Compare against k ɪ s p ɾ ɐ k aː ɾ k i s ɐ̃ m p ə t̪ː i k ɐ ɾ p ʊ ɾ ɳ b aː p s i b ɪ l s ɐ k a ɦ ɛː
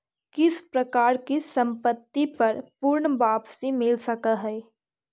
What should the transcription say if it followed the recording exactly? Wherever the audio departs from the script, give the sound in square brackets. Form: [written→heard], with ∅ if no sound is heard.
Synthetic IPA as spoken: k ɪ s p ɾ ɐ k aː ɾ k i s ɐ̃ m p ə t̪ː i [k→p] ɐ ɾ p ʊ ɾ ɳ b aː p s i [b→m] ɪ l s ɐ k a ɦ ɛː